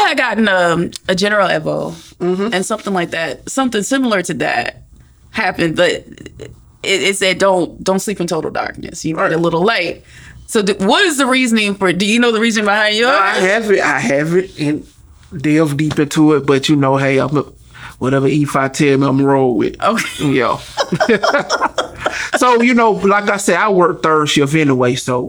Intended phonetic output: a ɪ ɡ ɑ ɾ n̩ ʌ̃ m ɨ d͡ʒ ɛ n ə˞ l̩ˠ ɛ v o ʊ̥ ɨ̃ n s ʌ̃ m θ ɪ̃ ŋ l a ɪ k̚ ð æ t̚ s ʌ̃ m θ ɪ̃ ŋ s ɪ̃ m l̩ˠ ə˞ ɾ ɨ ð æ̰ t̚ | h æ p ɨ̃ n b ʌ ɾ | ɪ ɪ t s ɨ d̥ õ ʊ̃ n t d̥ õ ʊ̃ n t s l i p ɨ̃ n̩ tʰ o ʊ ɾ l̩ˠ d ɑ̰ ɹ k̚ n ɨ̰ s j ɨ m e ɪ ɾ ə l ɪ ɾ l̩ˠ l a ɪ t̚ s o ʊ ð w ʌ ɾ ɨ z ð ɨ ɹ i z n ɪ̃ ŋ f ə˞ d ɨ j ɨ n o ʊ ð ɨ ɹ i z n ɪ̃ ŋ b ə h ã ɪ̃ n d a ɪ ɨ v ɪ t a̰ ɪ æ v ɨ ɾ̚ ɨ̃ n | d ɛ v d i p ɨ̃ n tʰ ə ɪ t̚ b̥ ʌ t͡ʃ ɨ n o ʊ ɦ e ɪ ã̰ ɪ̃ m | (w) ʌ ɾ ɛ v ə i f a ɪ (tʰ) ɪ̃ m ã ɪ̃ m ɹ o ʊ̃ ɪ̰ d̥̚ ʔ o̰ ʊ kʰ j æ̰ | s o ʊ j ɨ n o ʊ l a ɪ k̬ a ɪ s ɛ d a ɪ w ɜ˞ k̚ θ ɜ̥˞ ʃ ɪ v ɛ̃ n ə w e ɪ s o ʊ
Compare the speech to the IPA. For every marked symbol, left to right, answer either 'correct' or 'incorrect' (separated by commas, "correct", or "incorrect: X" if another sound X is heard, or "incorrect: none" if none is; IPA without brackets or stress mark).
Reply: correct, correct